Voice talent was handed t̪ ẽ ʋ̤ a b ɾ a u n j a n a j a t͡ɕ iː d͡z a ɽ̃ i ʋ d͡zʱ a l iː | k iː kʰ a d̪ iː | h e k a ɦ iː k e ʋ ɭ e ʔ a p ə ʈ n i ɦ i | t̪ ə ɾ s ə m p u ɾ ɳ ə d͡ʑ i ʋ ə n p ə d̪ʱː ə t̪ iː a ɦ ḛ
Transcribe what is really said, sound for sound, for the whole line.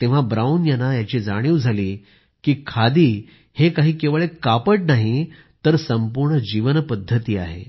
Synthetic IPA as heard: t̪ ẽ ʋ̤ a b ɾ a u n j a n a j a t͡ɕ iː d͡z a ɽ̃ i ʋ d͡zʱ a l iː | k iː kʰ a d̪ iː | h e k a ɦ iː k e ʋ ɭ e k a p ə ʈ n a ɦ i | t̪ ə ɾ s ə m p u ɾ ɳ ə d͡ʑ i ʋ ə n p ə d̪ʱː ə t̪ iː a ɦ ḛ